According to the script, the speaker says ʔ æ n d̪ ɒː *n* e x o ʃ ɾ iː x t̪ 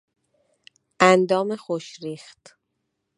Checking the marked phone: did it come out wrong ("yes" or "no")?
yes